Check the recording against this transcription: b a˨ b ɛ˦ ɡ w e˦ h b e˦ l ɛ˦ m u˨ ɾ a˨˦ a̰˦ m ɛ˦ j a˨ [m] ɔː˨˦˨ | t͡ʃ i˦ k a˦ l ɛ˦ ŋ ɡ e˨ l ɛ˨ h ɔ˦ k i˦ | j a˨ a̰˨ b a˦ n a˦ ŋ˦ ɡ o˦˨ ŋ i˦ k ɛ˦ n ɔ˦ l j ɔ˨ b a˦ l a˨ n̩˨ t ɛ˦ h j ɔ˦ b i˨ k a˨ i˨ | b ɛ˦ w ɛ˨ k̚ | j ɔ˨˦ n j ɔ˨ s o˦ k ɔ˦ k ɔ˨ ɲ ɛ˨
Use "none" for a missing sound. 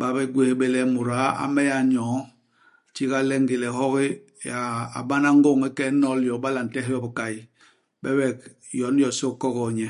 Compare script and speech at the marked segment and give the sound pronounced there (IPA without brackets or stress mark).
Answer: ɲ